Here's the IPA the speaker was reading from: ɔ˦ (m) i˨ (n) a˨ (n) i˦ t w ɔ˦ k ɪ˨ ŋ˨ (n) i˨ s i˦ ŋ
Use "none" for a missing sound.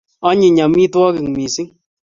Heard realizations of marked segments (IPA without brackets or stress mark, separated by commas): ɲ, ɲ, m, m